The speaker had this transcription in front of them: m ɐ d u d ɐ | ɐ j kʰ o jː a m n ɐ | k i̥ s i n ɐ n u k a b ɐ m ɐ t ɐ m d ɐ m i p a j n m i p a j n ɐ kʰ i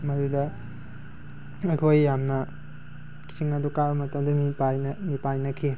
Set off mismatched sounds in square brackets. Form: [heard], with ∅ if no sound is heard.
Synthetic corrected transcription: m ɐ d u d ɐ | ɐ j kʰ o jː a m n ɐ | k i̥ s i [ŋ] ɐ [d] u k a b ɐ m ɐ t ɐ m d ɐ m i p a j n m i p a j n ɐ kʰ i